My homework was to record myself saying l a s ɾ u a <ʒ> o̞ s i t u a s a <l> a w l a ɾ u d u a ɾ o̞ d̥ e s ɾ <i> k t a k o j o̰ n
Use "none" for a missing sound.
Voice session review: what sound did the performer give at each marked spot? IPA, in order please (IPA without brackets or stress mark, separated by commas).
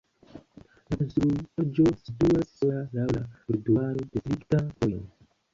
d͡ʒ, l, i